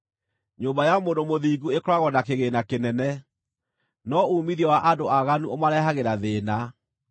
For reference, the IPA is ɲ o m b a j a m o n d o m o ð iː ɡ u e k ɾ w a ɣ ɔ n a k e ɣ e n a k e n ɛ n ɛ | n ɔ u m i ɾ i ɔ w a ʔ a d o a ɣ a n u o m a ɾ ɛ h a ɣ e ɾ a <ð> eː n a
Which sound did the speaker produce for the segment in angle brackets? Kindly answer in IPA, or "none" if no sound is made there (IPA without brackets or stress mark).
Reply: ð